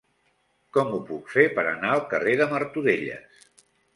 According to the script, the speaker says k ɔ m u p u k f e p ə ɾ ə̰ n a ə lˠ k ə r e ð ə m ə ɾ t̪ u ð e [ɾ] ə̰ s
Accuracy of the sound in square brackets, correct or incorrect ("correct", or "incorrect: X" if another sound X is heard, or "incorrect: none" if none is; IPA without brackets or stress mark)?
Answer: incorrect: ʎ